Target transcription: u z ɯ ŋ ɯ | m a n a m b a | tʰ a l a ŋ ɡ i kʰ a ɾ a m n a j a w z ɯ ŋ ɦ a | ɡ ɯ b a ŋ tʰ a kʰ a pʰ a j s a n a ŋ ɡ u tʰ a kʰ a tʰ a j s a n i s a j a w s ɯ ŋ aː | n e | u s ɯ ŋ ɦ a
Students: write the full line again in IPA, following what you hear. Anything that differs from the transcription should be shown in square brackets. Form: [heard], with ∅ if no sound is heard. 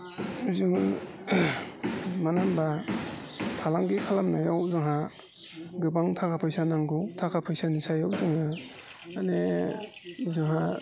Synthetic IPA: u z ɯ ŋ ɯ | m a n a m b a | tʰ a l a ŋ ɡ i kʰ a [l] a m n a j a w z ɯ ŋ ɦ a | ɡ ɯ b a ŋ tʰ a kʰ a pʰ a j s a n a ŋ ɡ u tʰ a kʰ a [pʰ] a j s a n i s a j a w [z] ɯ ŋ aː | n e | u [z] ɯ ŋ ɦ a